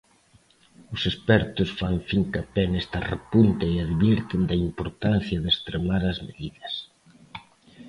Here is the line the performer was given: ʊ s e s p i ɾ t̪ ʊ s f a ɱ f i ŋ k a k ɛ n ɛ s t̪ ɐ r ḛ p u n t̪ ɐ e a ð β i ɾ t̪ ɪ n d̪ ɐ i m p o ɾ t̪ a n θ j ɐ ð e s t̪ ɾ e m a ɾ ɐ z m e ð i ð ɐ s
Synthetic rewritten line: ʊ s e s p ɛ ɾ t̪ ʊ s f a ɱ f i ŋ k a p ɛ n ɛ s t̪ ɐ r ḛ p u n t̪ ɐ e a ð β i ɾ t̪ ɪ n d̪ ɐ i m p o ɾ t̪ a n θ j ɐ ð e s t̪ ɾ e m a ɾ ɐ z m e ð i ð ɐ s